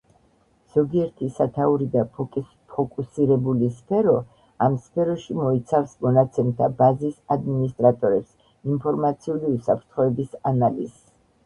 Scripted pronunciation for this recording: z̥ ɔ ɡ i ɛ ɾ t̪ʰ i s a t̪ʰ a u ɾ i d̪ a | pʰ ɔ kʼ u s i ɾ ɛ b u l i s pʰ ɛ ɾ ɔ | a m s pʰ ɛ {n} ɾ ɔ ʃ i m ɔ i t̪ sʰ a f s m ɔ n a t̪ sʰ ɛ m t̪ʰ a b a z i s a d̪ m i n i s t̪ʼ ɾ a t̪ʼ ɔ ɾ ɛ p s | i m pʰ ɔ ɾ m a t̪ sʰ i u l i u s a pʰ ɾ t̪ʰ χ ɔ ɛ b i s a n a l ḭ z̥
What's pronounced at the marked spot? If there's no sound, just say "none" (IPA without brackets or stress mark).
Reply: none